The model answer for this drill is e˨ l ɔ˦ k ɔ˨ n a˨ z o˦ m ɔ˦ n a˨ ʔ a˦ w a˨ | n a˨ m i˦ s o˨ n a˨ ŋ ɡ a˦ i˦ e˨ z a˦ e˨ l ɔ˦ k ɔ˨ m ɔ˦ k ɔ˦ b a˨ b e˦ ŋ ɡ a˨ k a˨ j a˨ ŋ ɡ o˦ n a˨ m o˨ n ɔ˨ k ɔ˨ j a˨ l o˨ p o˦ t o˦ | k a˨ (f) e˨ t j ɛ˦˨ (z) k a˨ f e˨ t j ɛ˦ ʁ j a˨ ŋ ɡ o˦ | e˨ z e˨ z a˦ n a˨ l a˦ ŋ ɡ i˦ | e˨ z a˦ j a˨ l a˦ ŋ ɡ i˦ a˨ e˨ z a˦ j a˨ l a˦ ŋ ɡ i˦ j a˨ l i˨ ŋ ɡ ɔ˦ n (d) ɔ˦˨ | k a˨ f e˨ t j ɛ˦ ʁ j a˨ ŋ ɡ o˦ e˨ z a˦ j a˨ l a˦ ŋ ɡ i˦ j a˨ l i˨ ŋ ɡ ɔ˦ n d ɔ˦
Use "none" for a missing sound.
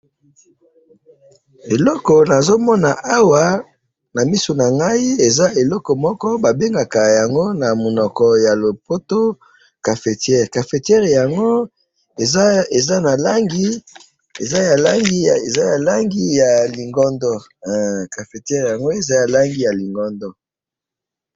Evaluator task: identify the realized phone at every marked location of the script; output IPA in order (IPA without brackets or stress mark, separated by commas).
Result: f, ʁ, d